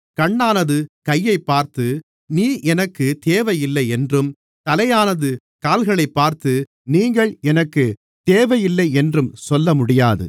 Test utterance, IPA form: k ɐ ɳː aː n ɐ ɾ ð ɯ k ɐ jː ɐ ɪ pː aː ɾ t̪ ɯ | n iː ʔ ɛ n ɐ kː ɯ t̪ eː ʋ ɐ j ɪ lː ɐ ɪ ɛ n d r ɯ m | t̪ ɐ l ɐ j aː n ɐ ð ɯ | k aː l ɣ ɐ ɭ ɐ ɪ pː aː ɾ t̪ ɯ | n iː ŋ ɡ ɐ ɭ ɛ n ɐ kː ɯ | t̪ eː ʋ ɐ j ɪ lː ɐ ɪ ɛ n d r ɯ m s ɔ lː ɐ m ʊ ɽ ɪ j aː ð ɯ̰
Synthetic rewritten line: k ɐ ɳː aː n ɐ ð ɯ k ɐ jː ɐ ɪ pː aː ɾ t̪ ɯ | n iː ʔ ɛ n ɐ kː ɯ t̪ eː ʋ ɐ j ɪ lː ɐ ɪ ɛ n d r ɯ m | t̪ ɐ l ɐ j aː n ɐ ð ɯ | k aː l ɣ ɐ ɭ ɐ ɪ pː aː ɾ t̪ ɯ | n iː ŋ ɡ ɐ ɭ ɛ n ɐ kː ɯ | t̪ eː ʋ ɐ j ɪ lː ɐ ɪ ɛ n d r ɯ m s ɔ lː ɐ m ʊ ɽ ɪ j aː ð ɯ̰